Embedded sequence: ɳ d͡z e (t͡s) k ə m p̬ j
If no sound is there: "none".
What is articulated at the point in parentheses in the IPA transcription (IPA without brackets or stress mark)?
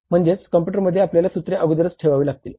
t͡s